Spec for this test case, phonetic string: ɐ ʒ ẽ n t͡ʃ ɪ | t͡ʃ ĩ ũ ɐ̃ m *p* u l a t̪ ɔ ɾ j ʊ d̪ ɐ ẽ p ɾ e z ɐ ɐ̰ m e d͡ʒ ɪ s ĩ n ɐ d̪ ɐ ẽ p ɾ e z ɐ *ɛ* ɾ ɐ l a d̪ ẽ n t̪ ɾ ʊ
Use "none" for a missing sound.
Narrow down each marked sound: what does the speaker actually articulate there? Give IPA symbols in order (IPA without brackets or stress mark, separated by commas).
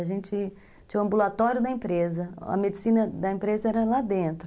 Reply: b, ɛ